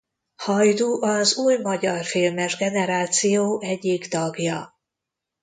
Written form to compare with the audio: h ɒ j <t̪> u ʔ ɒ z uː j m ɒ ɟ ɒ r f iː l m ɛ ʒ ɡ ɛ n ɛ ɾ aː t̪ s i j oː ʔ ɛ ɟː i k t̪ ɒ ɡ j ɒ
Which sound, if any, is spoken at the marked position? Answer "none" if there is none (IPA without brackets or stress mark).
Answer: d̪